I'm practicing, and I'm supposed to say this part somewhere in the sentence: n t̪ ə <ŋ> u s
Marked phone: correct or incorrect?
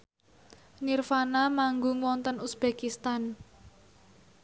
incorrect